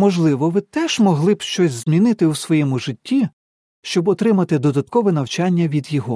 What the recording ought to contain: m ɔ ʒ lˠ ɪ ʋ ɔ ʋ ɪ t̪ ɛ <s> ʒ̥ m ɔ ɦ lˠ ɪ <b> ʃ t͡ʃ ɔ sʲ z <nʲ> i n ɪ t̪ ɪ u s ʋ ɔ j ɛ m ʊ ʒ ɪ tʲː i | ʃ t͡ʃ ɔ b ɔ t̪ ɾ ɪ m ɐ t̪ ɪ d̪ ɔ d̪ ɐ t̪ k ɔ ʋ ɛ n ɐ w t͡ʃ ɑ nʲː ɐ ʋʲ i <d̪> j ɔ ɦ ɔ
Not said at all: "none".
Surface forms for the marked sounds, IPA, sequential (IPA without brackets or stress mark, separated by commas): none, b, mʲ, d̪